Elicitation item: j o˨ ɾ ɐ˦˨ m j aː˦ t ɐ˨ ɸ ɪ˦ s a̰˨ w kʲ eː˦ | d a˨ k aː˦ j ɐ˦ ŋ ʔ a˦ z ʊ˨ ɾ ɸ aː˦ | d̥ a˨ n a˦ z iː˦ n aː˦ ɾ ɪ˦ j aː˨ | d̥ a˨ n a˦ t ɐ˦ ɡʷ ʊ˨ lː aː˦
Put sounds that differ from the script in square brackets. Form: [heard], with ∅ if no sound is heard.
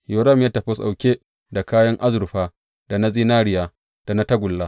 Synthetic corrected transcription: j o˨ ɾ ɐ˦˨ m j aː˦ t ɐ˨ ɸ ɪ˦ s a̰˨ w kʲ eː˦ | d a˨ k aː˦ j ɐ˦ ŋ ʔ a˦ z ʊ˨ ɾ ɸ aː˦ | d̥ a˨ n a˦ z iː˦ n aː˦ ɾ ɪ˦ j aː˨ | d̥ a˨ n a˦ t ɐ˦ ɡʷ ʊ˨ lː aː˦